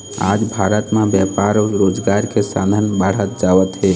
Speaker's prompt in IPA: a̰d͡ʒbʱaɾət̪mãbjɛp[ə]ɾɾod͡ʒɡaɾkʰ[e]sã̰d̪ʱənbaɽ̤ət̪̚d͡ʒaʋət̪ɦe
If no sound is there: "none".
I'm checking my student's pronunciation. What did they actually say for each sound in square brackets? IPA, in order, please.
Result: a, e

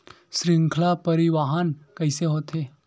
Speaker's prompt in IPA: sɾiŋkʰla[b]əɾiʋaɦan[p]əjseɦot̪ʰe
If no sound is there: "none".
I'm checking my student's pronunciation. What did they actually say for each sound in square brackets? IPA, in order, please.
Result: p, k

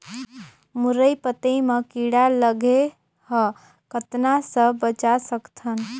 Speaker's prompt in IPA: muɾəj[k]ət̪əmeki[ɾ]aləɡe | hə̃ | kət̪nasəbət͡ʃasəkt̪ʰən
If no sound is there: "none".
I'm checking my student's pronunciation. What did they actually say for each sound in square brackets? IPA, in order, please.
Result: p, ɽ

